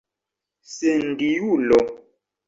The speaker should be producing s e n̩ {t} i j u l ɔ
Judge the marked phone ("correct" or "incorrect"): incorrect